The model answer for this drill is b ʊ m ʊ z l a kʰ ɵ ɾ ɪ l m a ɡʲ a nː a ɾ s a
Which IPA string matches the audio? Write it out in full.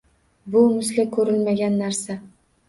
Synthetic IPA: b ʊ m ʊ s l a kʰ ɵ ɾ ɪ l m a ɡʲ a nː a ɾ s a